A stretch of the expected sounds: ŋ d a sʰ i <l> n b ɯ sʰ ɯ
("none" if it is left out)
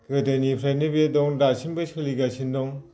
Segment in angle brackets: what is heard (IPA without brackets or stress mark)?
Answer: none